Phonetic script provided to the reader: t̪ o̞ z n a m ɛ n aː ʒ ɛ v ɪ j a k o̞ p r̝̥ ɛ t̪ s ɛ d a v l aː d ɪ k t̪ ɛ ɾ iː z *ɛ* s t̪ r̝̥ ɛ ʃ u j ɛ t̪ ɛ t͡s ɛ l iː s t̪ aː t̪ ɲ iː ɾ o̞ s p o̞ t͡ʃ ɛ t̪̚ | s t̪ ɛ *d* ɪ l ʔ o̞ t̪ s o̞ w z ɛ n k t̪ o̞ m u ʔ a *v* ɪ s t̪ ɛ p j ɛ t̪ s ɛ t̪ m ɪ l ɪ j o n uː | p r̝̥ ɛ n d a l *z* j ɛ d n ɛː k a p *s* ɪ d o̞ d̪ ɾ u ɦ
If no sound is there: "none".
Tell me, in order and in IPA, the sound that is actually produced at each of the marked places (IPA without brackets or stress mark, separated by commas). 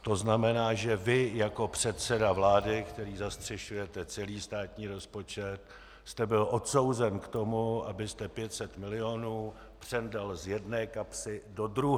a, b, b, z, s